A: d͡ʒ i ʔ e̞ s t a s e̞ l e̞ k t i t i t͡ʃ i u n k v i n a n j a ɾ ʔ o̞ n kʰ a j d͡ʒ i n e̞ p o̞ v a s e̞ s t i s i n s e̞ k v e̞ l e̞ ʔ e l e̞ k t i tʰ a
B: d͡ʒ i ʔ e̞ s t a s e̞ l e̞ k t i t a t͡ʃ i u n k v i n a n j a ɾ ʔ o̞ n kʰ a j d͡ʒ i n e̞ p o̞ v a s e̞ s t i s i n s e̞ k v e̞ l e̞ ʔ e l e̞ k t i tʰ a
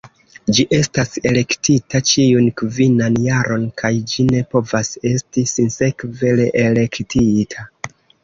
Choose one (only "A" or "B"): B